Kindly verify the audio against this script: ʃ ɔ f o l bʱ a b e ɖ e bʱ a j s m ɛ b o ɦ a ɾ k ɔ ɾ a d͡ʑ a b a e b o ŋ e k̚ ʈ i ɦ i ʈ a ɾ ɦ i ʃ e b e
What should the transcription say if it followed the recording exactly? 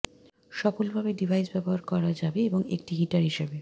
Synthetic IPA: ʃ ɔ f o l bʱ a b e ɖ i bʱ a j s b ɛ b o ɦ a ɾ k ɔ ɾ a d͡ʑ a b e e b o ŋ e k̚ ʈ i ɦ i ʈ a ɾ ɦ i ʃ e b e